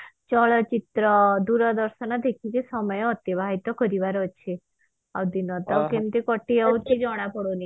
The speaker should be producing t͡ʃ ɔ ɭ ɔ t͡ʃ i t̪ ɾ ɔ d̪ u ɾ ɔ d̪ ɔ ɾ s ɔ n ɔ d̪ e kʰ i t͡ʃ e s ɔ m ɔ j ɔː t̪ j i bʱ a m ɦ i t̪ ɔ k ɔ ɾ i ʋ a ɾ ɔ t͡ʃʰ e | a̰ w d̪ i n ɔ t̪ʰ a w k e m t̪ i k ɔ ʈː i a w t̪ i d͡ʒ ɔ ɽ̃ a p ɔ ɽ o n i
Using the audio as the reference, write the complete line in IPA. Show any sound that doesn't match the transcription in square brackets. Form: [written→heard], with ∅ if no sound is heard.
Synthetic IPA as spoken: t͡ʃ ɔ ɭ ɔ t͡ʃ i t̪ ɾ ɔ d̪ u ɾ ɔ d̪ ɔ ɾ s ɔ n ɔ d̪ e kʰ i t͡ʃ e s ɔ m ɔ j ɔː t̪ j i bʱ a [m→∅] ɦ i t̪ ɔ k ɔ ɾ i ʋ a ɾ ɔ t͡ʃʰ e | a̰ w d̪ i n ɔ [t̪ʰ→t̪] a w k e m t̪ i k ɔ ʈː i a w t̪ i d͡ʒ ɔ ɽ̃ a p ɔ ɽ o n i